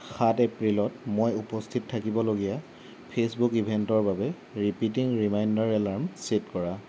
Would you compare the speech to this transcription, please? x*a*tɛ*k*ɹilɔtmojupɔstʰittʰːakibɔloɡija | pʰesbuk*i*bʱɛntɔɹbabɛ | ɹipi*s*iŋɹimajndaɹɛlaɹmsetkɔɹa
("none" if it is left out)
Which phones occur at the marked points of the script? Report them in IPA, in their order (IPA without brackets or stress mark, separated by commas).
a, p, i, t